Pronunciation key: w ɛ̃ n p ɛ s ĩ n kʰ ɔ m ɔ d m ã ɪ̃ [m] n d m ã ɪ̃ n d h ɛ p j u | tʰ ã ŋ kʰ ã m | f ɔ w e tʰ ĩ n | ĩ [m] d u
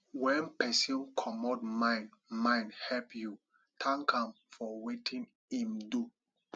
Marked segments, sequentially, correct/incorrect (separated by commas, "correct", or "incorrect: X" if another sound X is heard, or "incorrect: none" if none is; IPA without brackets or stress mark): incorrect: none, correct